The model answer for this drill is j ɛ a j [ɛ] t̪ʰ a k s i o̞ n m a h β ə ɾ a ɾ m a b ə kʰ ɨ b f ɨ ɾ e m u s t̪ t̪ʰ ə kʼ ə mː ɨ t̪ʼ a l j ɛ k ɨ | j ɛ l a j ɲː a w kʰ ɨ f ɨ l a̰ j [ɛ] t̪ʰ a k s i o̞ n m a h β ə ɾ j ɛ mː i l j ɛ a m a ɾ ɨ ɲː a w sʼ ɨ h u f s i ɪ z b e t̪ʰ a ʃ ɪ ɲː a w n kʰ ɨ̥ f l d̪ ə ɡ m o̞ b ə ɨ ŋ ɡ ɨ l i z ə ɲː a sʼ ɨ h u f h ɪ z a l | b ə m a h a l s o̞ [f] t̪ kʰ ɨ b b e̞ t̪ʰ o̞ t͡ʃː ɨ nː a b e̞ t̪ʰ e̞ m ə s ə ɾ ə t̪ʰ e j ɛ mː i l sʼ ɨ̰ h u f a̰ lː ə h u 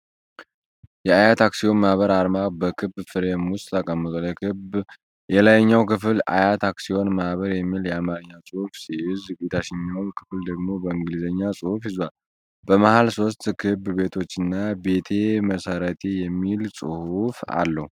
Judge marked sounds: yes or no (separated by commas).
no, no, no